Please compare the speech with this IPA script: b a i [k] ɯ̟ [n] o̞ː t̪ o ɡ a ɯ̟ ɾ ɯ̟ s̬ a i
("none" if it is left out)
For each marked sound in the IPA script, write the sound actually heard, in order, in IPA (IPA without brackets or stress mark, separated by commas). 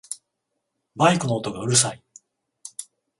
k, n